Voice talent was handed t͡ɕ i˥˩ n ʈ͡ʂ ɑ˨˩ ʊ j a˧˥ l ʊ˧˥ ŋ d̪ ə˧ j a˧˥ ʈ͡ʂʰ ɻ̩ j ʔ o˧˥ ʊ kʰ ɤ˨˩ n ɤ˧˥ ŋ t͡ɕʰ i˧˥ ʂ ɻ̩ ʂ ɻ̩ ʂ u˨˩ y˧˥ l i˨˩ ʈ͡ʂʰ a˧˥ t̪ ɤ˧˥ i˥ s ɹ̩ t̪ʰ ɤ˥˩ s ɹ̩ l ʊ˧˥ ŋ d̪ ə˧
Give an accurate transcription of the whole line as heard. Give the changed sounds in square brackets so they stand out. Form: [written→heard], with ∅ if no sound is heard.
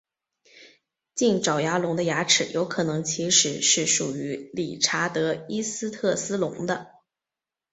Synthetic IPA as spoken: t͡ɕ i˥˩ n ʈ͡ʂ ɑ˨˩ ʊ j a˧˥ l ʊ˧˥ ŋ d̪ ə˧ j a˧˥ ʈ͡ʂʰ ɻ̩ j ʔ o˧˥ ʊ kʰ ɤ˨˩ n ɤ˧˥ ŋ t͡ɕʰ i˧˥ ʂ ɻ̩ ʂ ɻ̩ ʂ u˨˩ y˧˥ l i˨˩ ʈ͡ʂʰ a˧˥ t̪ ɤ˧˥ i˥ s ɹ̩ t̪ʰ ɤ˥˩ s ɹ̩ l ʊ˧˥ ŋ d̪ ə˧